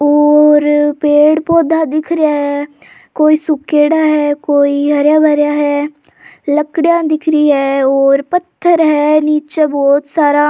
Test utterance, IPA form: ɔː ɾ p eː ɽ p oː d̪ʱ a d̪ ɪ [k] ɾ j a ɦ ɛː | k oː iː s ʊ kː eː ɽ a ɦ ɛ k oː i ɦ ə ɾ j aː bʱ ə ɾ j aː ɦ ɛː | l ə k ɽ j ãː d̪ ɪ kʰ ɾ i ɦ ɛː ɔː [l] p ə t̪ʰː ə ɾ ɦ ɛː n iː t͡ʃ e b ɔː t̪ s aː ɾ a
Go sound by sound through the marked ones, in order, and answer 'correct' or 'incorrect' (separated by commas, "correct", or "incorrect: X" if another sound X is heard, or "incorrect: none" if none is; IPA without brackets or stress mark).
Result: incorrect: kʰ, incorrect: ɾ